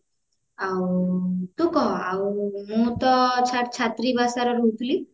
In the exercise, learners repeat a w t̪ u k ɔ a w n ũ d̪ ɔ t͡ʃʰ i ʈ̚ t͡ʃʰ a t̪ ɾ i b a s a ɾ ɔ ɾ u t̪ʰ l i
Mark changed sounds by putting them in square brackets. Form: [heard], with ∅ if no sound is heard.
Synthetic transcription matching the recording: a w t̪ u k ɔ a w [m] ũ [t̪] ɔ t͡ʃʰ [a] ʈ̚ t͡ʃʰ a t̪ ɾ i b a s a ɾ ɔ ɾ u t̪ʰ l i